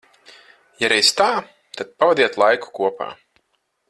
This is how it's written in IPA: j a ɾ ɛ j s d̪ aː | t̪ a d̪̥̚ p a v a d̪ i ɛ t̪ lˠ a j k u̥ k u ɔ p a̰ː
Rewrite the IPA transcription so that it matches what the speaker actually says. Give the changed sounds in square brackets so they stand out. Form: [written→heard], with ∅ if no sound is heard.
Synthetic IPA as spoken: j a ɾ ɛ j s [d̪→t̪] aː | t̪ a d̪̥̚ p a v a d̪ i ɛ t̪ lˠ a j k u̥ k u ɔ p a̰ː

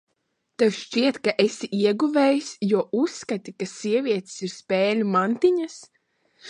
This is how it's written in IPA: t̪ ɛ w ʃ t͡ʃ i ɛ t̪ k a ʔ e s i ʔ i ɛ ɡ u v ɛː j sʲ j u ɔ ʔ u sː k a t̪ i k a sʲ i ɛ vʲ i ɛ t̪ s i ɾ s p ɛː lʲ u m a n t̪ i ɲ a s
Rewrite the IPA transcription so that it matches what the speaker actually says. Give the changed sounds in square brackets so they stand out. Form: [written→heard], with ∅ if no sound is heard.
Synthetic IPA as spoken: t̪ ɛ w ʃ t͡ʃ i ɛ t̪ k a ʔ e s i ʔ i ɛ ɡ u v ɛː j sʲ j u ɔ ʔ u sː k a t̪ i k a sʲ i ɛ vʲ i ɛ t̪ s i ɾ s p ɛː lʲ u m a n t̪ i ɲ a s

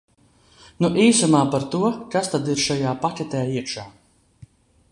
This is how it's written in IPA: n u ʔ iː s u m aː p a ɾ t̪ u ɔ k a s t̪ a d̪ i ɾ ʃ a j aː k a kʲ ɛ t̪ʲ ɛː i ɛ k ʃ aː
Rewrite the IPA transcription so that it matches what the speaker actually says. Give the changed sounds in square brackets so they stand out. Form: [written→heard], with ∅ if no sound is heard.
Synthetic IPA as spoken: n u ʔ iː s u m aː p a ɾ t̪ u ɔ k a s t̪ a d̪ i ɾ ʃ a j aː [k→p] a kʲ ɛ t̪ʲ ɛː i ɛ k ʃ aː

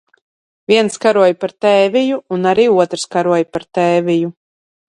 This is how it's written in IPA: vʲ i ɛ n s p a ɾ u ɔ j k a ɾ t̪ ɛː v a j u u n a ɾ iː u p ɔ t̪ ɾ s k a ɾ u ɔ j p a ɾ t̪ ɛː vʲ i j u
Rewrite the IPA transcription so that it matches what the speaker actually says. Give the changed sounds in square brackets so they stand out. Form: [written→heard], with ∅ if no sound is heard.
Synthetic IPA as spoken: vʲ i ɛ n s [p→k] a ɾ u ɔ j [k→p] a ɾ t̪ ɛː v [a→i] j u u n a ɾ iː u [p→∅] ɔ t̪ ɾ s k a ɾ u ɔ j p a ɾ t̪ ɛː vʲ i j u

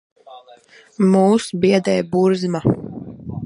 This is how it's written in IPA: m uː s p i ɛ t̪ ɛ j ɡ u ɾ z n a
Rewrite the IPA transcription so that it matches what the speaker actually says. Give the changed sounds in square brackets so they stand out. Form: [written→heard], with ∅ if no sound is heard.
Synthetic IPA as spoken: m uː s [p→b] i ɛ [t̪→d̪] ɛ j [ɡ→b] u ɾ z [n→m] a

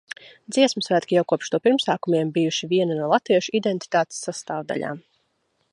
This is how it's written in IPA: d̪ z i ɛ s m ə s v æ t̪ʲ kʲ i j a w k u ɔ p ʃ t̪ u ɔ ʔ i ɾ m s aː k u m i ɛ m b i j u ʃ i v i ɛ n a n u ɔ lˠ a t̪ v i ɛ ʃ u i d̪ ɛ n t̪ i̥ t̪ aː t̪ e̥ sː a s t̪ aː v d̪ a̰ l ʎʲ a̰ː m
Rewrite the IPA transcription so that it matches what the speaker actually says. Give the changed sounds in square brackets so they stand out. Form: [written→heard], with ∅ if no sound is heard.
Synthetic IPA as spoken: d̪ z i ɛ s m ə s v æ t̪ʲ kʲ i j a w k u ɔ p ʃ t̪ u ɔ [ʔ→p] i ɾ m s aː k u m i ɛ m b i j u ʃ i v i ɛ n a n u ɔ lˠ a t̪ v i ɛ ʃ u i d̪ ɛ n t̪ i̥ t̪ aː t̪ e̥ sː a s t̪ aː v d̪ a̰ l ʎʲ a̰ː m

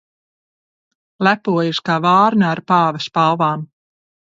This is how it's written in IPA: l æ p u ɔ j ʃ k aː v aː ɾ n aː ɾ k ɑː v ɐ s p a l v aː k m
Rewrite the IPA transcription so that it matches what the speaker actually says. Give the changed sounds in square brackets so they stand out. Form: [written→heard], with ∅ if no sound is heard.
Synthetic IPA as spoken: l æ p u ɔ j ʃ k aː v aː ɾ n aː ɾ [k→p] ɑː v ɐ s p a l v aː [k→∅] m

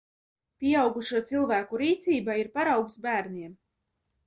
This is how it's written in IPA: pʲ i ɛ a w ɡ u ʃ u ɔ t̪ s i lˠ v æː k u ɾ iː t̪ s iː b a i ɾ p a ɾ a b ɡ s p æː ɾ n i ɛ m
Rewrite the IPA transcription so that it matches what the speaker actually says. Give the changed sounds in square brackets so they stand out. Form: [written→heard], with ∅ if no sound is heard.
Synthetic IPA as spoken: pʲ i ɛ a w ɡ u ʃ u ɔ t̪ s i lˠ v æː k u ɾ iː t̪ s iː b a i ɾ p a ɾ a [b→w] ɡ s [p→b] æː ɾ n i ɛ m

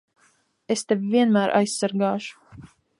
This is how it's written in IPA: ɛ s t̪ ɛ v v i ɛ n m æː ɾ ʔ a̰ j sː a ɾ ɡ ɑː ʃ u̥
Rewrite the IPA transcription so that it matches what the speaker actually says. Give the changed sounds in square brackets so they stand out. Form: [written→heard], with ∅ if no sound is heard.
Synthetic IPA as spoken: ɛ s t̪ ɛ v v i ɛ n m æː ɾ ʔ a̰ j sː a ɾ ɡ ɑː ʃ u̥

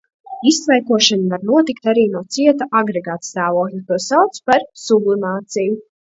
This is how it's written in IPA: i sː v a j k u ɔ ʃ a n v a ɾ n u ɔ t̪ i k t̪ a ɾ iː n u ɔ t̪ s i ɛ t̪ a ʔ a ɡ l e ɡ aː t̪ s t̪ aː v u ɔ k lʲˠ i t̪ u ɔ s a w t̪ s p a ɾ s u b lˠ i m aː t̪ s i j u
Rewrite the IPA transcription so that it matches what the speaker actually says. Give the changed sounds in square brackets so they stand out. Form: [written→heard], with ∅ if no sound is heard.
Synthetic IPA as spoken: i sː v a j k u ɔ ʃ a n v a ɾ n u ɔ t̪ i k t̪ a ɾ iː n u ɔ t̪ s i ɛ t̪ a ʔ a ɡ [l→ɾ] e ɡ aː t̪ s t̪ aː v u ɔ k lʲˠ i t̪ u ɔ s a w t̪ s p a ɾ s u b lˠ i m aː t̪ s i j u

